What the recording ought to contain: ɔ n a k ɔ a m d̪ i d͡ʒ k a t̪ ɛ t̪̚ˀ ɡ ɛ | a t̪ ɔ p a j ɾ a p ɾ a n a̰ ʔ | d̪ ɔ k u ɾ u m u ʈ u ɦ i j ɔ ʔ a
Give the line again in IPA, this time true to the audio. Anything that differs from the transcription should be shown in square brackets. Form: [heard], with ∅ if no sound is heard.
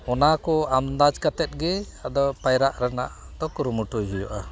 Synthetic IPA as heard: ɔ n a k ɔ a m d̪ [a] d͡ʒ k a t̪ ɛ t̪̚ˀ ɡ ɛ | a [d̪] ɔ p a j ɾ a [ʔ] ɾ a n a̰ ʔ | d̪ ɔ k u ɾ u m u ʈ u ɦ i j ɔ ʔ a